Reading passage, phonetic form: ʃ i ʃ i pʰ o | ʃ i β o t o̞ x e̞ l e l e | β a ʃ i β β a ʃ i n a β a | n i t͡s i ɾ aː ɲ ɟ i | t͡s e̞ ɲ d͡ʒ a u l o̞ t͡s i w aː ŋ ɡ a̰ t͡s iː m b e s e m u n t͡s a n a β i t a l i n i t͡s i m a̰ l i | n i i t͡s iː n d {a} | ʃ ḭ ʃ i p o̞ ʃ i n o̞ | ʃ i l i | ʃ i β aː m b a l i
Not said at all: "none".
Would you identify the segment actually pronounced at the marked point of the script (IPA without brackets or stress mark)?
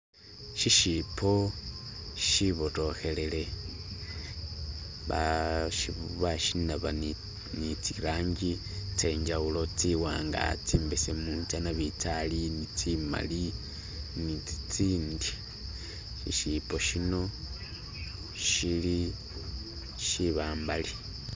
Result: i